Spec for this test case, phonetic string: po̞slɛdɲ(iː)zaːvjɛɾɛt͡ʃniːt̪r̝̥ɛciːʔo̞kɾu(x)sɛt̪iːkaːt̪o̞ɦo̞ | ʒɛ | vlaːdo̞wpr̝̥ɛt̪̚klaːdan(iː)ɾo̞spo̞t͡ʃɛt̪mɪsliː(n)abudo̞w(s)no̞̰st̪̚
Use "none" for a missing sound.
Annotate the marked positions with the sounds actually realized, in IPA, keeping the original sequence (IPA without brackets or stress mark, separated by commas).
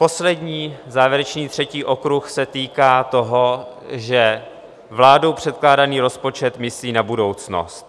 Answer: iː, x, iː, n, t͡s